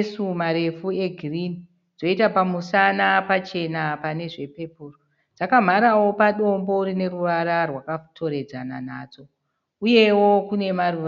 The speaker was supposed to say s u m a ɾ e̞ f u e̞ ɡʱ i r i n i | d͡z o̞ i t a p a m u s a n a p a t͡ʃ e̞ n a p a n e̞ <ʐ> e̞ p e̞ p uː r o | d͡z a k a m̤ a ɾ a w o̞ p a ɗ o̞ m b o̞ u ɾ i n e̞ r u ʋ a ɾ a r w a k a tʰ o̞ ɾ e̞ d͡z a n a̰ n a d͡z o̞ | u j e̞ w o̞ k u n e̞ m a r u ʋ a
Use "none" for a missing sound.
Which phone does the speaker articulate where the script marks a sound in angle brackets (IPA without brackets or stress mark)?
ʐ